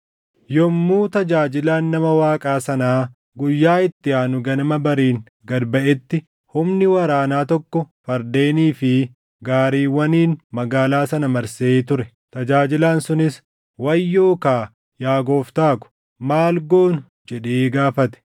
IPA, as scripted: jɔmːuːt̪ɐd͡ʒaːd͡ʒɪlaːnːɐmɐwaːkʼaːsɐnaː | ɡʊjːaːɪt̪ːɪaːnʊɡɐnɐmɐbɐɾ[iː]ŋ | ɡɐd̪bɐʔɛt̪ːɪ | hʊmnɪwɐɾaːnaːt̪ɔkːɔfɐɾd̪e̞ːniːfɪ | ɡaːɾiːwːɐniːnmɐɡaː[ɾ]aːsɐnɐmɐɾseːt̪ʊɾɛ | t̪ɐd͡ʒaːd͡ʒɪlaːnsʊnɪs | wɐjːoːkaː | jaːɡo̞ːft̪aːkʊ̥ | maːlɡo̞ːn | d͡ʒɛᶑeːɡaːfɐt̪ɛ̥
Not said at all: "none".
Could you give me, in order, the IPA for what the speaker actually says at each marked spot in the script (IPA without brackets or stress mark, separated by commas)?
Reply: iː, l